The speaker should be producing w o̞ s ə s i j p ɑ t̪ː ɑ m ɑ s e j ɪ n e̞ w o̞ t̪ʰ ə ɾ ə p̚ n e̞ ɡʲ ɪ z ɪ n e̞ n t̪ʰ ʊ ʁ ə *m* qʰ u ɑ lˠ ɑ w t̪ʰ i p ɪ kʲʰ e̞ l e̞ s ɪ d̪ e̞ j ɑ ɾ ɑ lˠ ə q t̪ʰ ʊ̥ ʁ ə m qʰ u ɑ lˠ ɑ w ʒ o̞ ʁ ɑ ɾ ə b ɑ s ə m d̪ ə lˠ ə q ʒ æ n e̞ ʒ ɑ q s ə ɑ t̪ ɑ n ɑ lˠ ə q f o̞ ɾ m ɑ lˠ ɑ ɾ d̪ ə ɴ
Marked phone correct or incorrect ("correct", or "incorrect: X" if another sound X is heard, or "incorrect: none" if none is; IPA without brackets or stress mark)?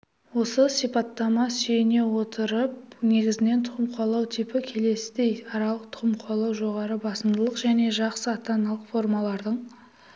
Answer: correct